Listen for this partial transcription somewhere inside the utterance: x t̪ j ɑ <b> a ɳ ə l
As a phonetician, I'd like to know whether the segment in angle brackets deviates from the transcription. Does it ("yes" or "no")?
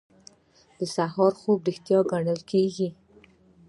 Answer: yes